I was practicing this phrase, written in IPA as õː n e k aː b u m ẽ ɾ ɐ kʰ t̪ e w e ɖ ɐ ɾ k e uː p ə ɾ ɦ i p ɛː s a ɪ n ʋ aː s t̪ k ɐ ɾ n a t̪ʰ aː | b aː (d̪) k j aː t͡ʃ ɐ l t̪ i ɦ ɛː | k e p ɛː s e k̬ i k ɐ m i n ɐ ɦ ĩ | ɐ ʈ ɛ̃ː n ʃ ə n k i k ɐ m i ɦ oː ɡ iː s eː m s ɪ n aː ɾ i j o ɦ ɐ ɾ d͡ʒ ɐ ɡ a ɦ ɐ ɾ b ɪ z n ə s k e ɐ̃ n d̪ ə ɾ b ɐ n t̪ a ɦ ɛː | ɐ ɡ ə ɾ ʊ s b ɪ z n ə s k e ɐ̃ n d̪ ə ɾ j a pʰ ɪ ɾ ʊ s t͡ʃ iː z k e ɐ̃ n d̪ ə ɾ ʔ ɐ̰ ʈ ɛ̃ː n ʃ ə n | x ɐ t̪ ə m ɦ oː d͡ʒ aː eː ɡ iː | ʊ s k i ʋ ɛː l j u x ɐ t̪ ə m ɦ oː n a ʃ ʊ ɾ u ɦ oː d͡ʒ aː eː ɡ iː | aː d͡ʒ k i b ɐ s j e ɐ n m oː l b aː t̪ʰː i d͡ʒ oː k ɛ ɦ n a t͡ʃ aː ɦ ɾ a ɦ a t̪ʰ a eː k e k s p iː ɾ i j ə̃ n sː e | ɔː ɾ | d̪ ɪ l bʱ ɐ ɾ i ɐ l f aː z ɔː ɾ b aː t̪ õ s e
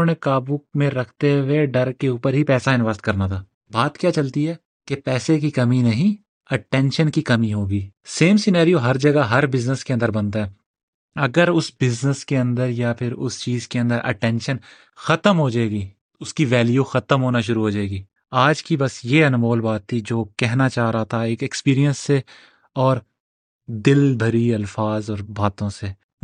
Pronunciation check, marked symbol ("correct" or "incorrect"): incorrect